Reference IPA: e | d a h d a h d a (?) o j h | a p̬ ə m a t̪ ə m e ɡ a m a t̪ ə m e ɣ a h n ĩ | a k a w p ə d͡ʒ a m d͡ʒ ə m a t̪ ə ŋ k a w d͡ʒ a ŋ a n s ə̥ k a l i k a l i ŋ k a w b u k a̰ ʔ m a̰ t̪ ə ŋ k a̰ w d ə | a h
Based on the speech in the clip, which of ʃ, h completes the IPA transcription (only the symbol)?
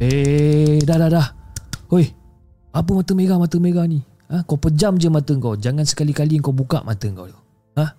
h